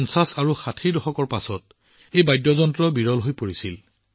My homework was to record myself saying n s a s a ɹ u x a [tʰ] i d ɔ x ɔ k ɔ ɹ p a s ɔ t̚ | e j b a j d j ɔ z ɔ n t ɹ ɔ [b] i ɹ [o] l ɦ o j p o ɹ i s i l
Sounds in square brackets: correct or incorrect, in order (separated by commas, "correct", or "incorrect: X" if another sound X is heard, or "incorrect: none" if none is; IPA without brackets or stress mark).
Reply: correct, correct, incorrect: ɔ